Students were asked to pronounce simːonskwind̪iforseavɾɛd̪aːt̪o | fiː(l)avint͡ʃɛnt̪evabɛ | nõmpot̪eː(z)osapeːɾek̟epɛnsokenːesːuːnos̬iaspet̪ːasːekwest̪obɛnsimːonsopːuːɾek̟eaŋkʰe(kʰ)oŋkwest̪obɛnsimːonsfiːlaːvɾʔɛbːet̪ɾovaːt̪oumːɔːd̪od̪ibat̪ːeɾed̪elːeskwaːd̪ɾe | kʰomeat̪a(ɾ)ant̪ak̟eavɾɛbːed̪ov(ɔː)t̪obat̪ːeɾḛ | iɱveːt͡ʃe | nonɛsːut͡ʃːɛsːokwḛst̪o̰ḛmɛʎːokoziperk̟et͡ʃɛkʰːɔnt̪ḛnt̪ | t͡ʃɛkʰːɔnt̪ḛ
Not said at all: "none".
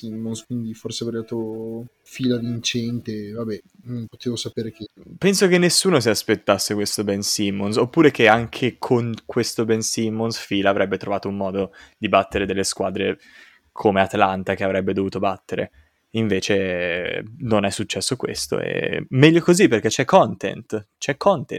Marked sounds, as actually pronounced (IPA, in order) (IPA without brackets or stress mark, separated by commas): l, v, kʰ, l, uː